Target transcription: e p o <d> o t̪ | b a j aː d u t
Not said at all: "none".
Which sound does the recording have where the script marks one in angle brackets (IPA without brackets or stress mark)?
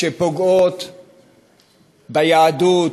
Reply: ɡ